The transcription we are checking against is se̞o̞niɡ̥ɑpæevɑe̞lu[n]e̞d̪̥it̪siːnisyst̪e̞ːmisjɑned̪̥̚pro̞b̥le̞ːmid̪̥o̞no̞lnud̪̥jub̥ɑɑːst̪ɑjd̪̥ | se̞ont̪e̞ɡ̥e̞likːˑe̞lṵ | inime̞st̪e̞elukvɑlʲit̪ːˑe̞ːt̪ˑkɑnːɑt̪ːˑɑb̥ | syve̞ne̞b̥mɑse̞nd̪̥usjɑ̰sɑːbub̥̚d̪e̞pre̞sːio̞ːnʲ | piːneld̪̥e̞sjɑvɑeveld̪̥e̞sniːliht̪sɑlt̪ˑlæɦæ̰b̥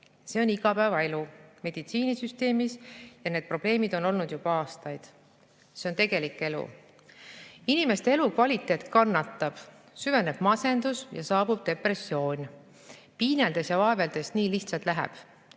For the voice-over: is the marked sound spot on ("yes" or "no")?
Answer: no